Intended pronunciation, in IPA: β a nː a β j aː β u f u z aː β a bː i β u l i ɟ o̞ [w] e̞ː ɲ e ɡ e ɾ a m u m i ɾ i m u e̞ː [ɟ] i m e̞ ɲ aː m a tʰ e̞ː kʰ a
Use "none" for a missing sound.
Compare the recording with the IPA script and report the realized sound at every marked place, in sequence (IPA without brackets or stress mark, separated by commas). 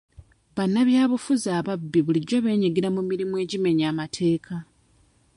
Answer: β, ɟ